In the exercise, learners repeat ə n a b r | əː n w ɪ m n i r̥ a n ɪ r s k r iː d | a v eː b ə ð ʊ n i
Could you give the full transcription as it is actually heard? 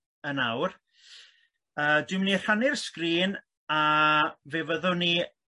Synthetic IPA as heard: ə n a w r | əː d w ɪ m n i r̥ a n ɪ r s k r iː n | a v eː v ə ð ʊ n i